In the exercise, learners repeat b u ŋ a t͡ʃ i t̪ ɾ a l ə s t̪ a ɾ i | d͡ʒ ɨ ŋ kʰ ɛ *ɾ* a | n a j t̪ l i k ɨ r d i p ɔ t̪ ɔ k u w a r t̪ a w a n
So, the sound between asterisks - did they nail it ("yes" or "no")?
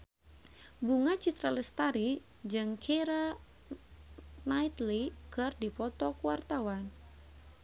yes